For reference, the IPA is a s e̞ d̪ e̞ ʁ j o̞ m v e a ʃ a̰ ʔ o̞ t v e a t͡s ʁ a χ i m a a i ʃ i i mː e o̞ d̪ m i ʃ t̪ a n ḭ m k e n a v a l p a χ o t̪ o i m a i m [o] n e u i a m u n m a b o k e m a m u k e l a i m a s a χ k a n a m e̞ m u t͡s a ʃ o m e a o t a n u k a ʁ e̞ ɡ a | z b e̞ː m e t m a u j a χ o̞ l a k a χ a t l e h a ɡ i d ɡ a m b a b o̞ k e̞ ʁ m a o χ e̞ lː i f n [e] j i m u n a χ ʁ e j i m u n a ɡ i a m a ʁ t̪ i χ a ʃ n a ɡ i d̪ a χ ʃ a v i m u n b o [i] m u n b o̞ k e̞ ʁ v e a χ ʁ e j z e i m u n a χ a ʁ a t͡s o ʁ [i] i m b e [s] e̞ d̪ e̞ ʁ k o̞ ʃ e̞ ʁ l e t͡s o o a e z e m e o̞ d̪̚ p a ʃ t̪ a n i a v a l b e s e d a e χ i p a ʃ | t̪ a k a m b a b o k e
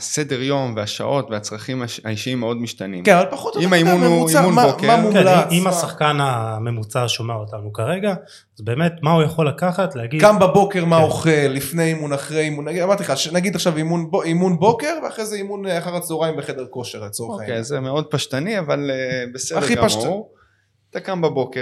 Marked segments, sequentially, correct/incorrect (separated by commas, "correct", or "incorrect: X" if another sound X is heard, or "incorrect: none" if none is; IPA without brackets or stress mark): incorrect: u, correct, correct, incorrect: a, incorrect: χ